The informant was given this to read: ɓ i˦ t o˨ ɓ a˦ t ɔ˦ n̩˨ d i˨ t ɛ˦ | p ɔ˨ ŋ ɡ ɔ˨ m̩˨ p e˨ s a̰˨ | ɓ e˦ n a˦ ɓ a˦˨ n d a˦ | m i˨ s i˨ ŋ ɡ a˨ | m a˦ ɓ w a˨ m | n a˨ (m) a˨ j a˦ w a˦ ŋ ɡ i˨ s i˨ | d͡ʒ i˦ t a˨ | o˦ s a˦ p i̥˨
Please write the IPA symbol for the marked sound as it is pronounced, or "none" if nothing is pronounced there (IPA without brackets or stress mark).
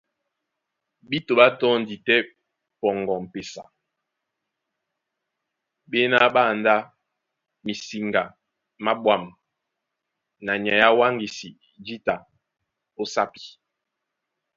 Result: ɲ